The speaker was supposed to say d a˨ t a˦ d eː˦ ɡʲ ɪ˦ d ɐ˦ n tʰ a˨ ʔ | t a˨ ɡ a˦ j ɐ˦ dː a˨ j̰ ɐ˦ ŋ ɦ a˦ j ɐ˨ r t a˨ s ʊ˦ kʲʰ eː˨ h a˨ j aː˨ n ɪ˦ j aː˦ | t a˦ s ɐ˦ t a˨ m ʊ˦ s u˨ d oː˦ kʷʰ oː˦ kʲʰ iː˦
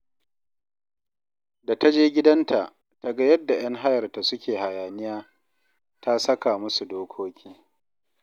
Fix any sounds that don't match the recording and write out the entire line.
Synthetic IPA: d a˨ t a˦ d͡ʒ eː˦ ɡʲ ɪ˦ d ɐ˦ n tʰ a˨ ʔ | t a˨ ɡ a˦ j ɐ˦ dː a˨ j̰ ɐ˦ ŋ ɦ a˦ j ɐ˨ r t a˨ s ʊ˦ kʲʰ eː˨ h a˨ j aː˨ n ɪ˦ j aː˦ | t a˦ s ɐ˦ k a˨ m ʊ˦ s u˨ d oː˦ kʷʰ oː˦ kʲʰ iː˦

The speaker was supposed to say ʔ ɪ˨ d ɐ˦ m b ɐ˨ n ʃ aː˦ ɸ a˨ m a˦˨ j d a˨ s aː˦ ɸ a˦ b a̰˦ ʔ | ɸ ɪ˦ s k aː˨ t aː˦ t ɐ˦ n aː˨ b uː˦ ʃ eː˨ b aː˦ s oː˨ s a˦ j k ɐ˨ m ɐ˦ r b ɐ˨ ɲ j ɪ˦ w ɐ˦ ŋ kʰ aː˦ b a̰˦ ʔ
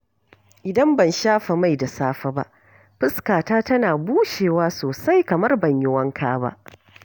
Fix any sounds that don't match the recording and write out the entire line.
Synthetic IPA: ʔ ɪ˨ d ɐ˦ m b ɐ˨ n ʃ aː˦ ɸ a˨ m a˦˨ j d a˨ s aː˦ ɸ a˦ b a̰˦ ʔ | ɸ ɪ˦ s k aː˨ t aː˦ t ɐ˦ n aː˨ b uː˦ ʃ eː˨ w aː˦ s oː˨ s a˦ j k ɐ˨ m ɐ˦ r b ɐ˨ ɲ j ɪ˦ w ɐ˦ ŋ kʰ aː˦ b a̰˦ ʔ

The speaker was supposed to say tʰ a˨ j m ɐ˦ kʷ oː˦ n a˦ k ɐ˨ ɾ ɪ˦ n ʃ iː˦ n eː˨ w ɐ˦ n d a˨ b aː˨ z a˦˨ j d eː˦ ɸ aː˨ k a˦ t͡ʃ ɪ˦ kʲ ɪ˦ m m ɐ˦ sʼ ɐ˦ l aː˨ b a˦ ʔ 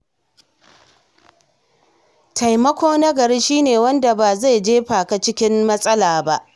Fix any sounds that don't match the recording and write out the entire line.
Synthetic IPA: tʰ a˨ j m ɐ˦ kʷ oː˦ n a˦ ɡ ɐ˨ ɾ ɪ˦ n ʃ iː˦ n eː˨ w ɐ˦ n d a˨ b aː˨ z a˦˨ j d͡ʒ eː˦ ɸ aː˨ k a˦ t͡ʃ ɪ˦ kʲ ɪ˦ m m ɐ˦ sʼ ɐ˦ l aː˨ b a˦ ʔ

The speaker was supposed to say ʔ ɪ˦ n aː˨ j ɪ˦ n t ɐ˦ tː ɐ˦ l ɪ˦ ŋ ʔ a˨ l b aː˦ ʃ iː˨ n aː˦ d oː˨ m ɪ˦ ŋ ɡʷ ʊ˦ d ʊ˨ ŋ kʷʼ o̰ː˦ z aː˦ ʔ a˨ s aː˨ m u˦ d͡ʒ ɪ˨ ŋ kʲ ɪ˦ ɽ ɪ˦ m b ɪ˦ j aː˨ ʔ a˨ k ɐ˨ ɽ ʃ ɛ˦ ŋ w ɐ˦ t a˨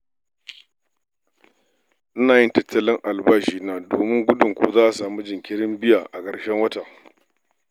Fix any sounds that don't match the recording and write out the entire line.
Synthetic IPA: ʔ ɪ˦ n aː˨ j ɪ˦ n t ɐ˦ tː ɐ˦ l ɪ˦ ŋ ʔ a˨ l b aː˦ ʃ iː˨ n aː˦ d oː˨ m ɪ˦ ŋ ɡʷ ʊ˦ d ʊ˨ ŋ kʷ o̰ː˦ z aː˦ ʔ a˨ s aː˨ m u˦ d͡ʒ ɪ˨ ŋ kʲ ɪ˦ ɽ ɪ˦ m b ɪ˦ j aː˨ ʔ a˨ k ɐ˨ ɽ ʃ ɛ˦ ŋ w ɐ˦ t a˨

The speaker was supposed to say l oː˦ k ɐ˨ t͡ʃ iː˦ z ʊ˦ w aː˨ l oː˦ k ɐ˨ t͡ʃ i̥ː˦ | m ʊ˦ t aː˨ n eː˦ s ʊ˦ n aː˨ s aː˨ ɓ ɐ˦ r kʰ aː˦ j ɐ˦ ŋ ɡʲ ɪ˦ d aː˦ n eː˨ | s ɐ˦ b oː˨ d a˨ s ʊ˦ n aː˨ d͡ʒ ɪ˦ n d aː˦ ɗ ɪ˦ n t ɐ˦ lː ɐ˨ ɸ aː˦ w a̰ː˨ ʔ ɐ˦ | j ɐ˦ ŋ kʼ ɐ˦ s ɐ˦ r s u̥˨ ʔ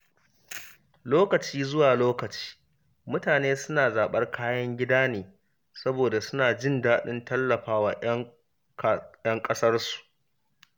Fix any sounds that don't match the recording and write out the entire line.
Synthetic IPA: l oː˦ k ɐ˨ t͡ʃ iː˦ z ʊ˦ w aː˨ l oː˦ k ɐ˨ t͡ʃ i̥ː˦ | m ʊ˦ t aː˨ n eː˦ s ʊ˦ n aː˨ z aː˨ ɓ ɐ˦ r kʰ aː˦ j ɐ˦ ŋ ɡʲ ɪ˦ d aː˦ n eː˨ | s ɐ˦ b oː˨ d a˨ s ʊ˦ n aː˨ d͡ʒ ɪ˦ n d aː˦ ɗ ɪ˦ n t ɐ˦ lː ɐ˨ ɸ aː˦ w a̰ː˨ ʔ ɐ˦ | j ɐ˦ ŋ kʼ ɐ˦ s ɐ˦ r s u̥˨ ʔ

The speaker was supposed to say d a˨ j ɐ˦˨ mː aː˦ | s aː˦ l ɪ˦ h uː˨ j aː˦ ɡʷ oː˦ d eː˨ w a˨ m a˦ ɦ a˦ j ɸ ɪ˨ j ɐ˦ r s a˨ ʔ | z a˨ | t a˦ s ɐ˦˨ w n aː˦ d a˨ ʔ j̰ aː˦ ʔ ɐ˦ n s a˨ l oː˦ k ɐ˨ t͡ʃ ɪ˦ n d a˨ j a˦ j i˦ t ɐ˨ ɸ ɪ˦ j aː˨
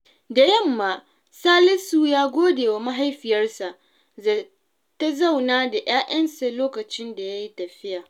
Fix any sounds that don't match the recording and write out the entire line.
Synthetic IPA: d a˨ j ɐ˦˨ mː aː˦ | s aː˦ l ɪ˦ s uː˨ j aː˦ ɡʷ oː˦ d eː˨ w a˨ m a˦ ɦ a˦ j ɸ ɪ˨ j ɐ˦ r s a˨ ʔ | z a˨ | t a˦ z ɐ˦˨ w n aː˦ d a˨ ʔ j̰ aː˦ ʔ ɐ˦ n s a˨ l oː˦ k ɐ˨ t͡ʃ ɪ˦ n d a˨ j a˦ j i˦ t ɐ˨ ɸ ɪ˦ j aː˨

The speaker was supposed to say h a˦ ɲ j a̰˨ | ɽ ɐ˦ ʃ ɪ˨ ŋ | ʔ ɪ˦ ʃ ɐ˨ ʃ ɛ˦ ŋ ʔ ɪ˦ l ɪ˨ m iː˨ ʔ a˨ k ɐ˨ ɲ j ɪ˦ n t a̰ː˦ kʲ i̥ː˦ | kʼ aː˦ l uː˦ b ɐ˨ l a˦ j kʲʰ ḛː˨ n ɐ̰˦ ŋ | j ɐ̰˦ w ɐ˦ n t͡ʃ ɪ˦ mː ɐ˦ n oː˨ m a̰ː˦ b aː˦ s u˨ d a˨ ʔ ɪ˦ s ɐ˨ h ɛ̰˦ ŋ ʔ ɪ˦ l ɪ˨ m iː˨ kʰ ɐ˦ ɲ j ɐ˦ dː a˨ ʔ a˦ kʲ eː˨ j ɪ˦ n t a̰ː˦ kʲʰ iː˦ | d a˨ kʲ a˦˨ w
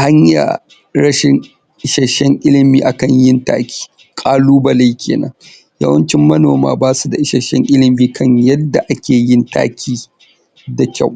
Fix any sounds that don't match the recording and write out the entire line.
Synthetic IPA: h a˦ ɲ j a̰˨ | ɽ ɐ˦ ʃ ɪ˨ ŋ | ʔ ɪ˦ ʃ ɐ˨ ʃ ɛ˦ ŋ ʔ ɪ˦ l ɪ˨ m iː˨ ʔ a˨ k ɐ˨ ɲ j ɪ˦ n t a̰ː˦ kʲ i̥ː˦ | kʼ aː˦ l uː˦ b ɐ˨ l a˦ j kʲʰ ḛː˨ n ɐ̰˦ ŋ | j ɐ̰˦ w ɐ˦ n t͡ʃ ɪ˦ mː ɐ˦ n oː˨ m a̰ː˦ b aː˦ s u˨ d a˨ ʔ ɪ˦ ʃ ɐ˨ ʃ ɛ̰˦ ŋ ʔ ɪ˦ l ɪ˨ m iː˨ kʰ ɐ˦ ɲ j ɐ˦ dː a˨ ʔ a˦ kʲ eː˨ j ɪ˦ n t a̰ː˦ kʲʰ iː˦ | d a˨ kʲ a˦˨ w

